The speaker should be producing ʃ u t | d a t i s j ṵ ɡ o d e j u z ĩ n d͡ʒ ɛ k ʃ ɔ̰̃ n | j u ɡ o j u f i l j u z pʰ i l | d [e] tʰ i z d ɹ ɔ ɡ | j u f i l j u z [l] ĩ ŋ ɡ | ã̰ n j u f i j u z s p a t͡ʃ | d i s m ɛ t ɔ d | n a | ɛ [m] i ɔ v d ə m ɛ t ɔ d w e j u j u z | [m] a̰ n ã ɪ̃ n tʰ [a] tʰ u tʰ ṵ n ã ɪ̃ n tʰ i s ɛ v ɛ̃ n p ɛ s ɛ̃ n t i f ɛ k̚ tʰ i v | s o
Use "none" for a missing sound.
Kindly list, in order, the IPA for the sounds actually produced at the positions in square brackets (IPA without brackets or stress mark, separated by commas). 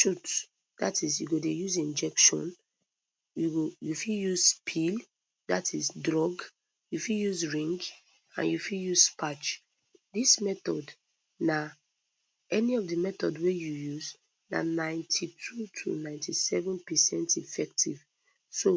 a, ɹ, n, n, i